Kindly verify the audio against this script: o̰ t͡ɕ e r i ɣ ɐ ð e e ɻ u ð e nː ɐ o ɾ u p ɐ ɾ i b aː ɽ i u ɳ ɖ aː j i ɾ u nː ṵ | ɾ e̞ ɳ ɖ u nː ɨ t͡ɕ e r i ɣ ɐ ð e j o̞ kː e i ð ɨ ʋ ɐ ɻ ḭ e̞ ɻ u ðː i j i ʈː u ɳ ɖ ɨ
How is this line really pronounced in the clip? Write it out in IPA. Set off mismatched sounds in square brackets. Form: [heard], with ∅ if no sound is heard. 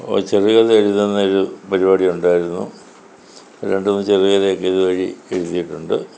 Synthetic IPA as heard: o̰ t͡ɕ e r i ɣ ɐ ð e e ɻ u ð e nː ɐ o ɾ u p ɐ ɾ i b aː ɽ i u ɳ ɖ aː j i ɾ u nː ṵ | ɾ e̞ ɳ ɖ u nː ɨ t͡ɕ e r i ɣ ɐ ð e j o̞ kː e i ð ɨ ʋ ɐ ɻ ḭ e̞ ɻ u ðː i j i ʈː u ɳ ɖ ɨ